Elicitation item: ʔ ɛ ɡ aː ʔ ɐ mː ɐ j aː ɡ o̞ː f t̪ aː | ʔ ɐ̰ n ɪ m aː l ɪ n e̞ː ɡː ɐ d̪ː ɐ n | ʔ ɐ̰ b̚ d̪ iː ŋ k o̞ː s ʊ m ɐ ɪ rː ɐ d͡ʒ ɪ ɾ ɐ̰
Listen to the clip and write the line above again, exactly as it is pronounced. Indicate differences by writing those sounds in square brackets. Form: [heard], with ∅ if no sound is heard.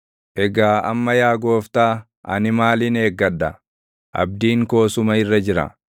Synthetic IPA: ʔ ɛ ɡ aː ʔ ɐ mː ɐ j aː ɡ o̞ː f t̪ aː | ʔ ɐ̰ n ɪ m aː l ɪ n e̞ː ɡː ɐ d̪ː ɐ [∅] | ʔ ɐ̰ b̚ d̪ iː ŋ k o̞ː s ʊ m ɐ ɪ rː ɐ d͡ʒ ɪ ɾ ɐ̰